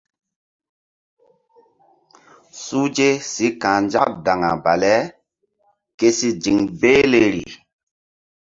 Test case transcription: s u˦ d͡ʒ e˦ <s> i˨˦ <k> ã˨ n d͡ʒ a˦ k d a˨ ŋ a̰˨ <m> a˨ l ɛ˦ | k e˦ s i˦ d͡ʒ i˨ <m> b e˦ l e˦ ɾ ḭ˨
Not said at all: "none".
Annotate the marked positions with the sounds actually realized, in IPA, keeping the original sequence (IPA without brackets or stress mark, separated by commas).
s, k, b, ŋ